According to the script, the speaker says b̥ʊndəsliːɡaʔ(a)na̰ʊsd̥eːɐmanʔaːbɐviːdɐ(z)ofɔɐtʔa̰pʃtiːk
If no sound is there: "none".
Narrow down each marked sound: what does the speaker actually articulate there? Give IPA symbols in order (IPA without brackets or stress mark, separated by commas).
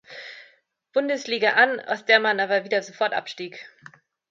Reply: a, z